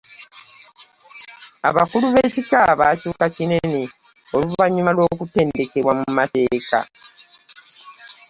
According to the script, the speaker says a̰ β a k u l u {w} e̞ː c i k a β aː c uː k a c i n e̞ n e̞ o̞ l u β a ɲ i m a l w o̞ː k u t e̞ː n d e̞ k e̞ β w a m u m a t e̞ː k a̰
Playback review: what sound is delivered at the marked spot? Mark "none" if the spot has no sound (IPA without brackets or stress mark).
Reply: β